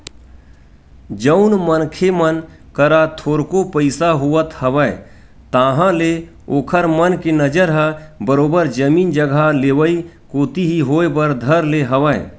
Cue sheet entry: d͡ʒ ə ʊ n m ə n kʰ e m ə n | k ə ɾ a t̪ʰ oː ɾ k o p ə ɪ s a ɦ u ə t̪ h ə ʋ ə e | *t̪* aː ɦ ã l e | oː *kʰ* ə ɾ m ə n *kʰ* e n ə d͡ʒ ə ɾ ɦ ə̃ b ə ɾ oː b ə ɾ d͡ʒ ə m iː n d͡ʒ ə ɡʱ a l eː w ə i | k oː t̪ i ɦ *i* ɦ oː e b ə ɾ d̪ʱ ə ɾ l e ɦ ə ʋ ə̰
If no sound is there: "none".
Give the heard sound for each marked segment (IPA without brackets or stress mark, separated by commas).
t̪, kʰ, k, i